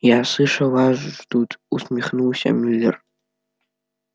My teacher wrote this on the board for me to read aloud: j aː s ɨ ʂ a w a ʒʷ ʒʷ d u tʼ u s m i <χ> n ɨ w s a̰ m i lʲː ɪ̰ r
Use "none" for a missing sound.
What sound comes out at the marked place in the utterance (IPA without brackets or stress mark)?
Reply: χ